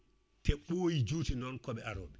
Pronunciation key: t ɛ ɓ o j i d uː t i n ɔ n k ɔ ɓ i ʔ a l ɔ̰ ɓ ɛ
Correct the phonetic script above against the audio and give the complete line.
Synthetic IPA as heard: t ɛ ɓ o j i d͡ʒ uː t i n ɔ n k ɔ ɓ ɛ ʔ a ɾ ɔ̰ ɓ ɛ